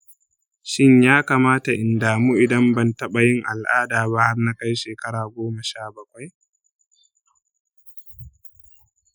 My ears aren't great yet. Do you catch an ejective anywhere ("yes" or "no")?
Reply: no